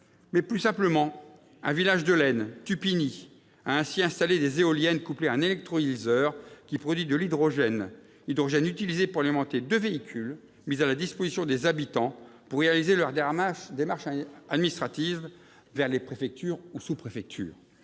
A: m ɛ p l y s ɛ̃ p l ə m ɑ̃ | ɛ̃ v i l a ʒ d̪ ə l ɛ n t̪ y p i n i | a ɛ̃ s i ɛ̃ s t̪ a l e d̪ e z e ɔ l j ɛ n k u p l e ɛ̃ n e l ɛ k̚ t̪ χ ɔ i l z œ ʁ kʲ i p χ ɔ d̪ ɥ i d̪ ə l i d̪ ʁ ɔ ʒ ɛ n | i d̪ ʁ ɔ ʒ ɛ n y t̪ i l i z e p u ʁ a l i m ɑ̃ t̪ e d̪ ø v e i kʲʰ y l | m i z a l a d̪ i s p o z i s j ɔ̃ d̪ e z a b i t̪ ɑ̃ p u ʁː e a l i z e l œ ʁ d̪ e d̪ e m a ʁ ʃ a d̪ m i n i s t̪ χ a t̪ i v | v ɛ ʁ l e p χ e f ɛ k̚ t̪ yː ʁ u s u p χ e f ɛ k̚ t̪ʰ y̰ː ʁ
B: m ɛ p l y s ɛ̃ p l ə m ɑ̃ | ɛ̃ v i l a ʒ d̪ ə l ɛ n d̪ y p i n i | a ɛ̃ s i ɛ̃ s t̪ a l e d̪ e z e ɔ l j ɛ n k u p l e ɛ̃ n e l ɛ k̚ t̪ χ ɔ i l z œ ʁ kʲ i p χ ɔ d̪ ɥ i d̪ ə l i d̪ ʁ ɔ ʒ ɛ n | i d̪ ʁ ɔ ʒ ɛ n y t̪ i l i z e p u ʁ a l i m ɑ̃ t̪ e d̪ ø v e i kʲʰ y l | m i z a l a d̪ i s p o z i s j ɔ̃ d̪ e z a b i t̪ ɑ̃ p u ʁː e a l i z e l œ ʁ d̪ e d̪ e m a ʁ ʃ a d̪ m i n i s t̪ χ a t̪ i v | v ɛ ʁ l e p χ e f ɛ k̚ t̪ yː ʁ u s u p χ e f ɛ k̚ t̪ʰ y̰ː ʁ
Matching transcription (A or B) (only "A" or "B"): A